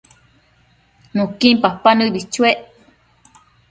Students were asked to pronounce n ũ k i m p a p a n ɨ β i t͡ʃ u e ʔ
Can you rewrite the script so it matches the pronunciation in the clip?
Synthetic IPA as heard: n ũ k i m p a p a n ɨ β i t͡ʃ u e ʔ